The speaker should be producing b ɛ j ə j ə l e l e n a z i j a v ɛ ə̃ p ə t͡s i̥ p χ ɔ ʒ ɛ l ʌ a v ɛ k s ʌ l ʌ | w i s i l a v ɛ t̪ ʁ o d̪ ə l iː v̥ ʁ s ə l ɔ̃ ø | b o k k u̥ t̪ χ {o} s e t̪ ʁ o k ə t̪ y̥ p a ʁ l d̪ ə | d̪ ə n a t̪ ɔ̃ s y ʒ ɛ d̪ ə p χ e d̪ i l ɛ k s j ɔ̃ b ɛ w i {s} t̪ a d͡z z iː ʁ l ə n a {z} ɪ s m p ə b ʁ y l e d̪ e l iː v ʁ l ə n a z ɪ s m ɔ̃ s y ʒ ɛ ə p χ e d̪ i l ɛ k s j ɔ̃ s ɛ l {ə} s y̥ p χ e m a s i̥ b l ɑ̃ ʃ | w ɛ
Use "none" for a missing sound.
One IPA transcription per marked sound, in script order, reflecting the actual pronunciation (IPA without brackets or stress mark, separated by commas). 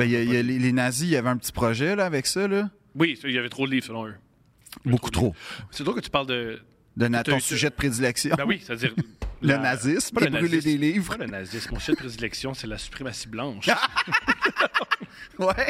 o, s, z, a